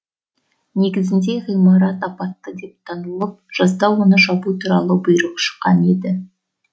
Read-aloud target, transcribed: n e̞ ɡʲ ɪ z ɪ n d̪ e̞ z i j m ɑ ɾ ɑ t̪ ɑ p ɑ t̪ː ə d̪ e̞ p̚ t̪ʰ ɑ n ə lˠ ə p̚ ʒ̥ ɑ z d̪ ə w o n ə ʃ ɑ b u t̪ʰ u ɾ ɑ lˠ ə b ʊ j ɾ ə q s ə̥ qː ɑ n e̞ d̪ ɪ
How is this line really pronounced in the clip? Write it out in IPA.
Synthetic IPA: n e̞ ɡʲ ɪ z ɪ n d̪ e̞ ʁ i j m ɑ ɾ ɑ t̪ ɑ p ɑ t̪ː ə d̪ e̞ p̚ t̪ʰ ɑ n ə lˠ ə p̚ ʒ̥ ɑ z d̪ ɑ w o n ə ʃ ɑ b u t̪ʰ u ɾ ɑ lˠ ə b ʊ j ɾ ə q ʃ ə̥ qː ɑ n e̞ d̪ ɪ